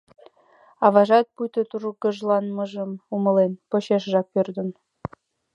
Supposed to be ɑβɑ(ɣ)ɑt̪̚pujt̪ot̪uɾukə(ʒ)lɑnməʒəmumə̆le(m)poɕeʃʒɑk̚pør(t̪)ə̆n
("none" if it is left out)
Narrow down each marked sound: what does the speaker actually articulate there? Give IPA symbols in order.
ʒ, ʒ, n, d̪

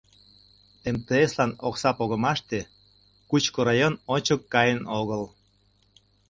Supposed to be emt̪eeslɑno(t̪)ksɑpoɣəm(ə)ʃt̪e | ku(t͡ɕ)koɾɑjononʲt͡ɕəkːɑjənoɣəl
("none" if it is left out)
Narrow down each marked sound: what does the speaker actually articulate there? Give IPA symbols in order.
none, ɑ, t͡ɕ

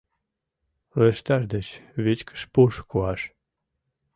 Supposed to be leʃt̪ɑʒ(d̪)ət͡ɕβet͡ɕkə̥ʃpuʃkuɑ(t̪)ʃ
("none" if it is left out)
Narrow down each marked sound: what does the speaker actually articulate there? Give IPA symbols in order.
d̪, none

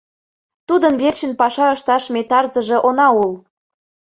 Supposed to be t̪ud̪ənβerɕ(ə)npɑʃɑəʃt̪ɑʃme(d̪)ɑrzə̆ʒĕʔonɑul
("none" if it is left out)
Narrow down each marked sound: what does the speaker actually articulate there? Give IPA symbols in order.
ə, t̪

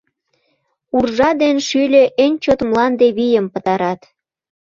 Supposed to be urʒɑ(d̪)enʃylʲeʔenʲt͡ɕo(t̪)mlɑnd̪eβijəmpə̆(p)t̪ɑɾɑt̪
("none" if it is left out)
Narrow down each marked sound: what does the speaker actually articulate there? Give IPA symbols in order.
d̪, t̪, none

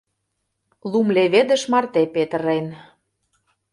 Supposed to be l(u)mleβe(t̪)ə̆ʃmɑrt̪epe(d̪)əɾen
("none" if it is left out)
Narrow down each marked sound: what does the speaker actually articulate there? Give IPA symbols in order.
u, d̪, t̪

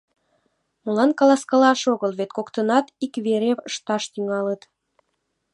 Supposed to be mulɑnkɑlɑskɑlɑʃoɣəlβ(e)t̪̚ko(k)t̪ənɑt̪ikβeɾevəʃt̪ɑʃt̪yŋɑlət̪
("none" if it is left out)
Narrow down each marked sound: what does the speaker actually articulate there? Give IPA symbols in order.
e, k

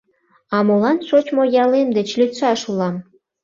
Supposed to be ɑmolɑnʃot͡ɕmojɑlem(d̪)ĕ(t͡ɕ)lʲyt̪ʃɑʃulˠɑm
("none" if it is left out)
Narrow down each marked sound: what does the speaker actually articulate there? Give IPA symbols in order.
d̪, t͡ɕ

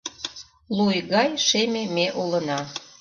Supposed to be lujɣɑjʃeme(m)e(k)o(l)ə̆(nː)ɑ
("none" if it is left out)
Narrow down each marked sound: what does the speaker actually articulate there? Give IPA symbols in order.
m, ʔ, l, n

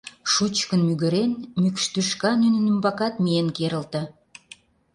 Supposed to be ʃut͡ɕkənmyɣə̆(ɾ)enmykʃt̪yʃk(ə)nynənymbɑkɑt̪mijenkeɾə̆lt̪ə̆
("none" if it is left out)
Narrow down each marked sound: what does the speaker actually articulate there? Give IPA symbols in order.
ɾ, ɑ

